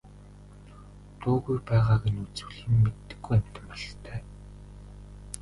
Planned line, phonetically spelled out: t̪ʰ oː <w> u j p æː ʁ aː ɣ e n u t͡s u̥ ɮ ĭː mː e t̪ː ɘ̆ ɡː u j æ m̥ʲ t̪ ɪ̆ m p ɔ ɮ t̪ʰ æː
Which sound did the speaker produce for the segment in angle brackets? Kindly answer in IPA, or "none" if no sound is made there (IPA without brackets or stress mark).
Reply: ɣ